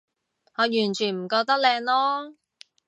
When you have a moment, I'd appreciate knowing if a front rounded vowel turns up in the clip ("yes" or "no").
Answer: yes